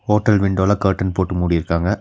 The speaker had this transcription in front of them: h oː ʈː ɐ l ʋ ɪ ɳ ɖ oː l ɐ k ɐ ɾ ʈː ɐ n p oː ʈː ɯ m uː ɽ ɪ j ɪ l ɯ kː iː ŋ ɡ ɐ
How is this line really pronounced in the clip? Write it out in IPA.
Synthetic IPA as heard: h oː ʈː ɐ l ʋ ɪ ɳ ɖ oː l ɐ k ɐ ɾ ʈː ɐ n p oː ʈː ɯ m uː ɽ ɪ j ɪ ɾ ɯ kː aː ŋ ɡ ɐ